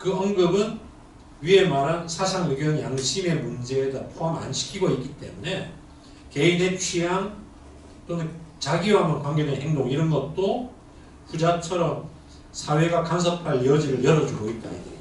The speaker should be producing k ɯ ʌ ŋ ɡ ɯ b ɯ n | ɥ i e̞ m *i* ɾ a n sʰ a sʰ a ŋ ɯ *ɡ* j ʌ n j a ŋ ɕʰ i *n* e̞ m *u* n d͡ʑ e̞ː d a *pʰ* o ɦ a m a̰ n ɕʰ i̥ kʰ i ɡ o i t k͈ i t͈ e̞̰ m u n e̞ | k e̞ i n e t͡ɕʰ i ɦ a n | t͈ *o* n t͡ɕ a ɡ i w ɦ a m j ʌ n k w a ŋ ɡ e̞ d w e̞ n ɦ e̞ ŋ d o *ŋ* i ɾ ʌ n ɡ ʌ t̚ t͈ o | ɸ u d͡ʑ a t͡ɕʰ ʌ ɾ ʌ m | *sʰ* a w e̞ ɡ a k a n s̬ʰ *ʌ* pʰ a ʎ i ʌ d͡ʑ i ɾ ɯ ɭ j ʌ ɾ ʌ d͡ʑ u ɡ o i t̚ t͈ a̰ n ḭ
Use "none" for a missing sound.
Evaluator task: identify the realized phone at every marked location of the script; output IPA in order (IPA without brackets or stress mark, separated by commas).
a, ɡ, m, u, pʰ, o, ŋ, sʰ, ʌ